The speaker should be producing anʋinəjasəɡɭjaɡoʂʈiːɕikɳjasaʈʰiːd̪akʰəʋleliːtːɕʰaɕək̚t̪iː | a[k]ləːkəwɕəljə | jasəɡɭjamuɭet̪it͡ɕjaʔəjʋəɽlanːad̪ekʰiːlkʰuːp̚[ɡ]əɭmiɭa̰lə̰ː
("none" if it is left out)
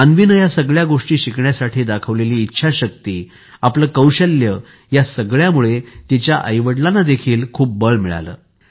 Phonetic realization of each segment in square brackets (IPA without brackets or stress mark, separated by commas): p, b